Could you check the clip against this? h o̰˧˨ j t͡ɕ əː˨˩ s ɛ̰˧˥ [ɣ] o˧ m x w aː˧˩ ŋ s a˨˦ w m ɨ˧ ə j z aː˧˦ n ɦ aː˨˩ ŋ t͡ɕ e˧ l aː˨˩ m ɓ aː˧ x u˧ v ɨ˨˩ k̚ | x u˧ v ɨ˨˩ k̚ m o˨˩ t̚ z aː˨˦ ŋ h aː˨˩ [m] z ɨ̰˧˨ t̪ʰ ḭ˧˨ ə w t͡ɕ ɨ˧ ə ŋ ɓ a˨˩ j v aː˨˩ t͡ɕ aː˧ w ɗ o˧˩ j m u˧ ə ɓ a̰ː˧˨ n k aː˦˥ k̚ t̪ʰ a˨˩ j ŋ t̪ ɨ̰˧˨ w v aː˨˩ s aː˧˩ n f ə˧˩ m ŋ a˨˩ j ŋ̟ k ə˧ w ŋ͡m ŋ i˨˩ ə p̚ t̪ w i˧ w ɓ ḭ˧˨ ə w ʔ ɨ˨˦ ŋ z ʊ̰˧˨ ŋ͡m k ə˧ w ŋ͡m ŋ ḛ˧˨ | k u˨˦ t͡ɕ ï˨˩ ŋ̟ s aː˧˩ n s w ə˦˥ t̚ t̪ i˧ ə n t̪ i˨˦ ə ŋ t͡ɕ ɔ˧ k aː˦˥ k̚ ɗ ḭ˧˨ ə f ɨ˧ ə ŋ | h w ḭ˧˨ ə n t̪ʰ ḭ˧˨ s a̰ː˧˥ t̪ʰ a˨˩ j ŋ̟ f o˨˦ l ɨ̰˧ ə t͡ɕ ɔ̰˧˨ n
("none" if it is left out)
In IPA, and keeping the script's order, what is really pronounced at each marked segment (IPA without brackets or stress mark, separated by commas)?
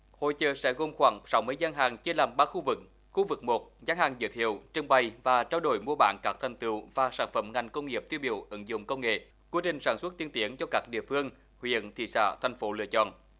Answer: ɣ, ŋ